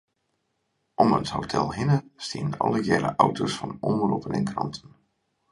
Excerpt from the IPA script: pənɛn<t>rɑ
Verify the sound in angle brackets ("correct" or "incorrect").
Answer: incorrect